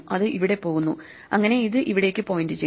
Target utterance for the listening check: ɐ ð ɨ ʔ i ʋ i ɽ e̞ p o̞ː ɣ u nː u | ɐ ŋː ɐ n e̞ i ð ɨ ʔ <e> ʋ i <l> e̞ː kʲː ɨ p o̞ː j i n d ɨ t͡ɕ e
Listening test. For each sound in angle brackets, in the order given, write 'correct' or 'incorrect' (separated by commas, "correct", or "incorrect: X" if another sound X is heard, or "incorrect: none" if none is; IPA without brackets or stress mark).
incorrect: i, incorrect: ɽ